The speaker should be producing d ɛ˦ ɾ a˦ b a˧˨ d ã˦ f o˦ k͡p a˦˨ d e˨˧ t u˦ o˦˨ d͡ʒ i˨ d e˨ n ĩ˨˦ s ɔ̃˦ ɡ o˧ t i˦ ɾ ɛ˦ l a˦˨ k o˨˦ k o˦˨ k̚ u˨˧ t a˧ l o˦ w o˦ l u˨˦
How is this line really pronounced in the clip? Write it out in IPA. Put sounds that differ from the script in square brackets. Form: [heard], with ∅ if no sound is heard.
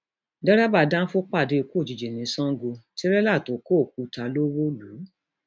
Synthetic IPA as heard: d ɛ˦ ɾ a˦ b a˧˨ d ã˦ f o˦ k͡p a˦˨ d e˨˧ [k] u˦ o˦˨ d͡ʒ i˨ [d͡ʒ] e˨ n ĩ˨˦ s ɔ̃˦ ɡ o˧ t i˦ ɾ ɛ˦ l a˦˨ [t] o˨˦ k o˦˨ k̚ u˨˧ t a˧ l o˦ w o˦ l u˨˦